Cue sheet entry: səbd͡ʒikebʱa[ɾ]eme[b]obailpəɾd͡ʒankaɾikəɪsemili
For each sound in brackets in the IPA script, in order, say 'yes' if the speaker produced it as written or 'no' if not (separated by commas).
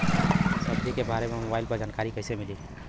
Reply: yes, no